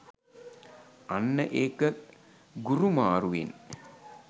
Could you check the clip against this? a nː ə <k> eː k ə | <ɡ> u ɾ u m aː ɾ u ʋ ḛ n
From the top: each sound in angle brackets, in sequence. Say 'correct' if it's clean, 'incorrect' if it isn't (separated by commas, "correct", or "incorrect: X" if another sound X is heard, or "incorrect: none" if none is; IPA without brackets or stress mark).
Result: incorrect: ʔ, correct